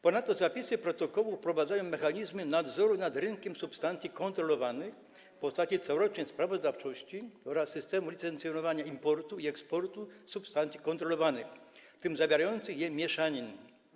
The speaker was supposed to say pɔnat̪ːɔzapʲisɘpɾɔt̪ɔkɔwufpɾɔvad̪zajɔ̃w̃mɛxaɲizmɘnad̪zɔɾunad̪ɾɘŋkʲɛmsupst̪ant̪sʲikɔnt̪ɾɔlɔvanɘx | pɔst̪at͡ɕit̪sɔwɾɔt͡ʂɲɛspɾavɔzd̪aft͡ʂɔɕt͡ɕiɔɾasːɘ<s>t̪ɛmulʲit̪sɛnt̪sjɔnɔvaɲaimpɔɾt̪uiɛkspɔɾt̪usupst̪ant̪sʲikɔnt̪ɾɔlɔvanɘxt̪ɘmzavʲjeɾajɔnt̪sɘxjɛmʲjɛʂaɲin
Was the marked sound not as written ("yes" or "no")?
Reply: no